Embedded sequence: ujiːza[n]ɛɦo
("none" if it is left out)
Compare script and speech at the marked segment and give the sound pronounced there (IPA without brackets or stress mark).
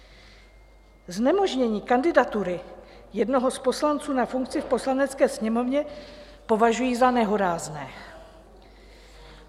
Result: n